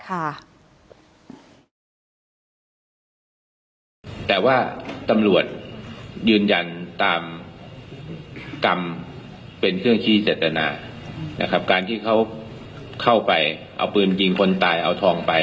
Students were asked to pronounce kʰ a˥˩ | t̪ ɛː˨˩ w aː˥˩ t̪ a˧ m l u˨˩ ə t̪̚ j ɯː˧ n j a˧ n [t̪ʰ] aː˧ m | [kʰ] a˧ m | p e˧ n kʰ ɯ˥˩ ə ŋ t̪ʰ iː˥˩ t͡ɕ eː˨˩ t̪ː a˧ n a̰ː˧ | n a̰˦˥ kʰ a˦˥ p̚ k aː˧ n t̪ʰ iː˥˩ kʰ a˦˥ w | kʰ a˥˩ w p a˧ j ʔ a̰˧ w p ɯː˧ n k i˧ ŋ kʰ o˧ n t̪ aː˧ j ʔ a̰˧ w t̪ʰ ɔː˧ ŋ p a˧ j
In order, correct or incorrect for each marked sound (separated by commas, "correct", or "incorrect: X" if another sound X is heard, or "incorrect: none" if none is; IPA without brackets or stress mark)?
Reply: incorrect: t̪, incorrect: k